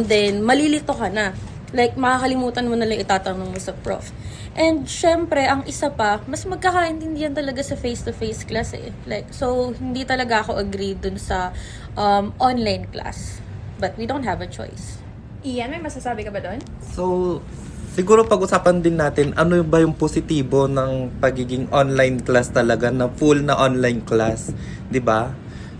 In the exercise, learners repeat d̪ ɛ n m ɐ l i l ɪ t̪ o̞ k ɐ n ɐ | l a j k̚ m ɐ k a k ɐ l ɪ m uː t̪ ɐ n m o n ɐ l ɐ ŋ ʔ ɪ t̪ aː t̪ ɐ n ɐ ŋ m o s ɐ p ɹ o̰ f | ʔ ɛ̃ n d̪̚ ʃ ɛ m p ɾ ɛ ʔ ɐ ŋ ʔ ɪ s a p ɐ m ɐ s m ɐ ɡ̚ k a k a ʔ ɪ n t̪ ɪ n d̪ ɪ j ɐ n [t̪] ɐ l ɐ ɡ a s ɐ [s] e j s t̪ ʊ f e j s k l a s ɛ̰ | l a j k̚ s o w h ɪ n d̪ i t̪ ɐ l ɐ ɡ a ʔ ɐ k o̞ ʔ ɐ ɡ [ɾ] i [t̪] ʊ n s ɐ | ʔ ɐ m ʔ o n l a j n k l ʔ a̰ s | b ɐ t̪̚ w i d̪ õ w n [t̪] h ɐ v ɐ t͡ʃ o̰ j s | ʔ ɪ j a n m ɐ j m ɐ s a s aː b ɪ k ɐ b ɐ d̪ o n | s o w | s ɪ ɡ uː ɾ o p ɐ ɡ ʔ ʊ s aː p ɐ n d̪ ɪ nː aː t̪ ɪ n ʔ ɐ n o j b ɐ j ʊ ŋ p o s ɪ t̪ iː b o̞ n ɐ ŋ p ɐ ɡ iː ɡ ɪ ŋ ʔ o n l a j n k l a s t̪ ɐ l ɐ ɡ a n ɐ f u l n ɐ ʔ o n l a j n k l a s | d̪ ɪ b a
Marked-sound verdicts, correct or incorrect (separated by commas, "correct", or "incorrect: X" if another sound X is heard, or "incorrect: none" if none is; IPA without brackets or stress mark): correct, incorrect: f, correct, incorrect: d̪, correct